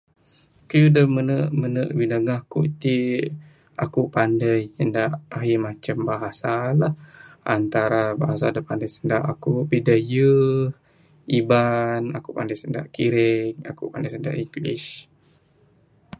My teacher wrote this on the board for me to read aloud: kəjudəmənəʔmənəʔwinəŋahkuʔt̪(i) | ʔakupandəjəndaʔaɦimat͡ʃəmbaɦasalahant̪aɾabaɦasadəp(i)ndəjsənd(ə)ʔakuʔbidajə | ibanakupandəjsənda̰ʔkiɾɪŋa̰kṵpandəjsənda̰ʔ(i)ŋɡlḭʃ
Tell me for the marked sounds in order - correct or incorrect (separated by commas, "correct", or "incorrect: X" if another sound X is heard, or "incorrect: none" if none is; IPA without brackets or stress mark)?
correct, incorrect: a, incorrect: a, correct